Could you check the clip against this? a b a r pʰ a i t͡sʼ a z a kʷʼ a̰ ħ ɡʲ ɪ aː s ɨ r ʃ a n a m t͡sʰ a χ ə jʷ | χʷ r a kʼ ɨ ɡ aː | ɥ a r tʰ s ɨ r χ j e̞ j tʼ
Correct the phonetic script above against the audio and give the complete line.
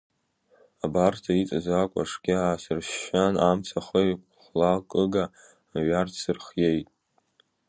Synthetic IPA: a b a r tʰ a i t͡sʼ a z a kʷʼ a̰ ʂ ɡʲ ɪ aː s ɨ r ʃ a n a m t͡sʰ a χ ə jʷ | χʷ l a kʼ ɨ ɡ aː | ɥ a r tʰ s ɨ r χ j e̞ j tʼ